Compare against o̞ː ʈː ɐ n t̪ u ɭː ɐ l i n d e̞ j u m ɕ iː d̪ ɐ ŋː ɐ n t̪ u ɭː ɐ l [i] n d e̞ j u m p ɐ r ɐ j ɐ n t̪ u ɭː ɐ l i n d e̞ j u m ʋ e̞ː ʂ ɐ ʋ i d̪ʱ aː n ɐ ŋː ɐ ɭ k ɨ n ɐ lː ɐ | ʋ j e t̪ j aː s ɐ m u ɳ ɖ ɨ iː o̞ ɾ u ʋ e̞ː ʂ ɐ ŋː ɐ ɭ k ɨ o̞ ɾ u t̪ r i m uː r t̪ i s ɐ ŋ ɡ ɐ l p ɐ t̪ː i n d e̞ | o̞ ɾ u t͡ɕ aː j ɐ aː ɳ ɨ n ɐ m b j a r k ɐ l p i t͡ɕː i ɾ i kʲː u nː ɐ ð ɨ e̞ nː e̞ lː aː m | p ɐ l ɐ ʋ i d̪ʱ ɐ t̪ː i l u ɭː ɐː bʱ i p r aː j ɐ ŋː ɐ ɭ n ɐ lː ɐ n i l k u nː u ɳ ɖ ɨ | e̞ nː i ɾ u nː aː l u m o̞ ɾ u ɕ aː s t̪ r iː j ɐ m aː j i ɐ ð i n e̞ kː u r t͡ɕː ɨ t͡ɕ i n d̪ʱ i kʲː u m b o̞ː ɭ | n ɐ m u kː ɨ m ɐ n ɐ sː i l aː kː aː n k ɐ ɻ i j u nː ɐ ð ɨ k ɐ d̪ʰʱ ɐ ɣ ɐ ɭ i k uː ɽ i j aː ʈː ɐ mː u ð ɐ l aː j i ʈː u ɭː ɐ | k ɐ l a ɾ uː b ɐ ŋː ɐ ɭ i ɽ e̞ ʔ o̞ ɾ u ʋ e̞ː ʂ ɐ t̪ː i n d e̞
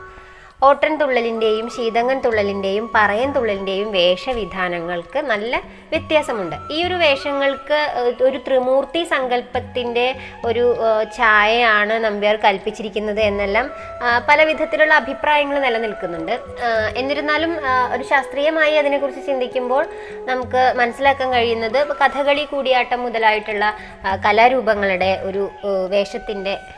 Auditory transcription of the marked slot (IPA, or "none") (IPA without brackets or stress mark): i